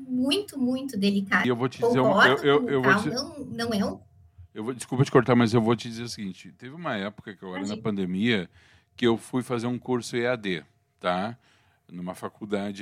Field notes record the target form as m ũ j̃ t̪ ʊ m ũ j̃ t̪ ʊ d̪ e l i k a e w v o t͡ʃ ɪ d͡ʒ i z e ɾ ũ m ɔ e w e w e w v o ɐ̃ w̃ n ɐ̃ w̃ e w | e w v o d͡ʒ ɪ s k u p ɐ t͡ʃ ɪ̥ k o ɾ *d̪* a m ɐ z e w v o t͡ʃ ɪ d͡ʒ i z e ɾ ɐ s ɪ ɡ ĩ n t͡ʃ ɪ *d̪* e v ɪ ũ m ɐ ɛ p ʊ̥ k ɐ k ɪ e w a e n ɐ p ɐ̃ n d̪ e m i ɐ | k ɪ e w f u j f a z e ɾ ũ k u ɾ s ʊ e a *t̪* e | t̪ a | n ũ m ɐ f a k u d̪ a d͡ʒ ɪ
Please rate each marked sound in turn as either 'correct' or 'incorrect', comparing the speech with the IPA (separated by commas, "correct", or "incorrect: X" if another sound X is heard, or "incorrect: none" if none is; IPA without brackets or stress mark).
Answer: incorrect: t̪, incorrect: t̪, incorrect: d̪